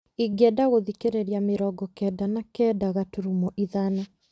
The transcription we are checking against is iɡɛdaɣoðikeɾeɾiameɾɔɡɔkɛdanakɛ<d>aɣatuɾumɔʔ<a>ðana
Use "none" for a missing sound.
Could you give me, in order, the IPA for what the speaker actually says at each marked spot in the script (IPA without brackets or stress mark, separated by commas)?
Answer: d, i